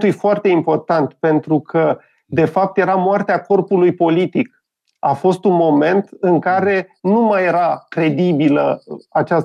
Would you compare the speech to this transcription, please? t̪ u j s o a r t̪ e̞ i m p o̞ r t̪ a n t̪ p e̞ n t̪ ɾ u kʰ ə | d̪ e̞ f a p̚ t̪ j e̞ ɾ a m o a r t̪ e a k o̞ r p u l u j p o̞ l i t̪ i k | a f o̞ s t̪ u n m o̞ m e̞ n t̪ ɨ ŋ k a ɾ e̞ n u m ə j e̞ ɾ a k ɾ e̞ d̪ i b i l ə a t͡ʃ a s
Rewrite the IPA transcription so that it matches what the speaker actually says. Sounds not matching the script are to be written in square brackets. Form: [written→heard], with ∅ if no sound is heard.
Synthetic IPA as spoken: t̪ u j [s→f] o a r t̪ e̞ i m p o̞ r t̪ a n t̪ p e̞ n t̪ ɾ u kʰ ə | d̪ e̞ f a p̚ t̪ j e̞ ɾ a m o a r t̪ e a k o̞ r p u l u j p o̞ l i t̪ i k | a f o̞ s t̪ u n m o̞ m e̞ n t̪ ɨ ŋ k a ɾ e̞ n u m [ə→a] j e̞ ɾ a k ɾ e̞ d̪ i b i l ə a t͡ʃ a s